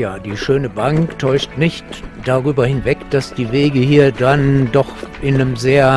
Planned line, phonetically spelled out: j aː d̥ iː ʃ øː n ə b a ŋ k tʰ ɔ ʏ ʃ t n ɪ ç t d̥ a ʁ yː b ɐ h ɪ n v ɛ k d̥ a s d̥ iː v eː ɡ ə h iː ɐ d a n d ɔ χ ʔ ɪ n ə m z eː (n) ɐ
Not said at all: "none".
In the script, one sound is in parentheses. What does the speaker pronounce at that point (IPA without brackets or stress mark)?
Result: none